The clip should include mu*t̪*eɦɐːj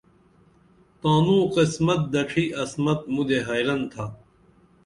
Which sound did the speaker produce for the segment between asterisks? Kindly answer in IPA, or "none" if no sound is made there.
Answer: d̪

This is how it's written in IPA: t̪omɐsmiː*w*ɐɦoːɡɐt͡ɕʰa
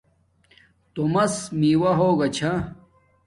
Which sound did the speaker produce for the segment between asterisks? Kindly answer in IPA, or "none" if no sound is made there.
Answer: w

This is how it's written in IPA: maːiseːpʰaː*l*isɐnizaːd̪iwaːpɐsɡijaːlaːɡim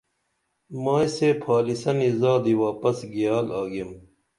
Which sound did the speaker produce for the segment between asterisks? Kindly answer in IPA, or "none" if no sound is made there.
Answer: l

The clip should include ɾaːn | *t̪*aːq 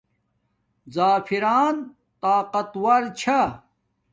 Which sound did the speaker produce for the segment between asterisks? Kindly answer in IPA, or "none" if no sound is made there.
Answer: t̪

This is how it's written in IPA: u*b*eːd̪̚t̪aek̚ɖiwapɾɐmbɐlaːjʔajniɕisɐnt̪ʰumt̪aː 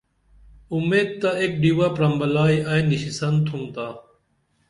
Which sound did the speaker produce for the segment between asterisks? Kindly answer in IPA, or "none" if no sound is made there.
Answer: m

